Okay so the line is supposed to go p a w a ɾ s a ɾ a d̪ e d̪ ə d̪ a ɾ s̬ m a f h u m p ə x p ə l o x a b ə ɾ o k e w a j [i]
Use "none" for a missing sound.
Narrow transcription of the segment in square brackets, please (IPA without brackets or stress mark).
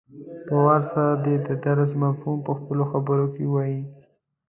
i